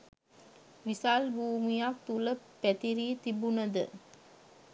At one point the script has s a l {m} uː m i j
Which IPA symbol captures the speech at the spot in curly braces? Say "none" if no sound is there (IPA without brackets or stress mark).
b